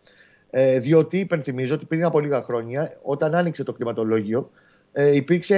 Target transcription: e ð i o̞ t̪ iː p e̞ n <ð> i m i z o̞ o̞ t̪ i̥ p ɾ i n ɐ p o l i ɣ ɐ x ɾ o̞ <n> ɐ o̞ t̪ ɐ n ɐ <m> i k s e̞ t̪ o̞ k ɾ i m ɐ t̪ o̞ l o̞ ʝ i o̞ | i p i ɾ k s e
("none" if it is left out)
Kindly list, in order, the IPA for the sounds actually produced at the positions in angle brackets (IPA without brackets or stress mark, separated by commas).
θ, ɲ, n